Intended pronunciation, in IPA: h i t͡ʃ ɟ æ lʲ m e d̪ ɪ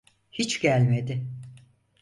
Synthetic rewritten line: h i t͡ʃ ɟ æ lʲ m e d̪ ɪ

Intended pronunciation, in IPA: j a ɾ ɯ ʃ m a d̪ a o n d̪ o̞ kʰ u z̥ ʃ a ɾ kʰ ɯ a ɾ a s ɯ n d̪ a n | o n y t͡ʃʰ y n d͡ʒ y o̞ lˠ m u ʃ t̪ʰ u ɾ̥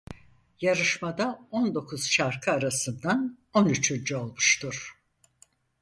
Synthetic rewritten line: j a ɾ ɯ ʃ m a d̪ a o n d̪ o̞ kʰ u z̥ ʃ a ɾ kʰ ɯ a ɾ a s ɯ n d̪ a n | o n y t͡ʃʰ y n d͡ʒ y o̞ lˠ m u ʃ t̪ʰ u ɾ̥

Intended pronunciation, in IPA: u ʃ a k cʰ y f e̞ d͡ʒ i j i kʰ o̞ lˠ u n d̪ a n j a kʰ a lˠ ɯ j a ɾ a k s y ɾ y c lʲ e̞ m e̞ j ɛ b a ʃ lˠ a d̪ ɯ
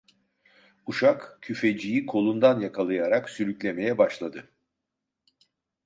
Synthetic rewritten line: u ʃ a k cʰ y f e̞ d͡ʒ i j i kʰ o̞ lˠ u n d̪ a n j a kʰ a lˠ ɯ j a ɾ a k s y ɾ y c lʲ e̞ m e̞ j ɛ b a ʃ lˠ a d̪ ɯ

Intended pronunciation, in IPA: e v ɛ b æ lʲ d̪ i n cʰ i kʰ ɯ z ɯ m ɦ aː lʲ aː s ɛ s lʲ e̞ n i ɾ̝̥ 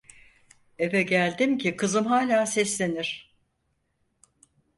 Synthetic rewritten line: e v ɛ ɟ æ lʲ d̪ i m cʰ i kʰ ɯ z ɯ m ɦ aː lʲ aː s ɛ s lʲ e̞ n i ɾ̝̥

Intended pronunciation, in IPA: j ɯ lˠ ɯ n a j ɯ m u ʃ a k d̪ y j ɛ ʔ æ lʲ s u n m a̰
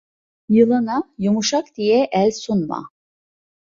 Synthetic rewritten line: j ɯ lˠ ɯ n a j u m u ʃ a k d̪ i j ɛ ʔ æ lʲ s u n m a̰

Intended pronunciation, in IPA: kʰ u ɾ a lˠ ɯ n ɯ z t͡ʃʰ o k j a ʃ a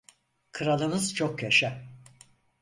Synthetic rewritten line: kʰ ɯ ɾ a lˠ ɯ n ɯ z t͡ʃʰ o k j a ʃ a

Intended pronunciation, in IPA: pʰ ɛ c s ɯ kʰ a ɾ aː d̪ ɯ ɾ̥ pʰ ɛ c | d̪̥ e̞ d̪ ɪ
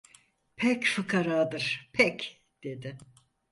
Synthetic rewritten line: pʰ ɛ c f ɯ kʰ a ɾ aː d̪ ɯ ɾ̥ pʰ ɛ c | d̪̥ e̞ d̪ ɪ

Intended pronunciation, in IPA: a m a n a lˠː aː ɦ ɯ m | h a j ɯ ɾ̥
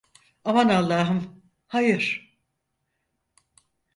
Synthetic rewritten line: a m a n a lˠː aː ɦ ɯ m | h a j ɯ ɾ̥

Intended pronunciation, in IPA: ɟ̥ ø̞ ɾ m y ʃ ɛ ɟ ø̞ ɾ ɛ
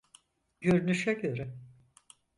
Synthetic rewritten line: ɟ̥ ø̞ ɾ n y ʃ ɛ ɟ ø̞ ɾ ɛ

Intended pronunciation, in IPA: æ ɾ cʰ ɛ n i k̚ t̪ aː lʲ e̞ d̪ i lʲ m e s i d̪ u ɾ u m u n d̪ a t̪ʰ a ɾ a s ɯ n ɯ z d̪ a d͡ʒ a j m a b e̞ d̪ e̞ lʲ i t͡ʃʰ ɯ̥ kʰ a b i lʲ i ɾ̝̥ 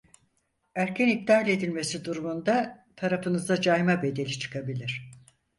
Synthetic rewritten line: æ ɾ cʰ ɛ n i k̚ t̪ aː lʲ e̞ d̪ i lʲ m e s i d̪ u ɾ u m u n d̪ a t̪ʰ a ɾ a f ɯ n ɯ z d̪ a d͡ʒ a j m a b e̞ d̪ e̞ lʲ i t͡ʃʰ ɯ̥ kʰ a b i lʲ i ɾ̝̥

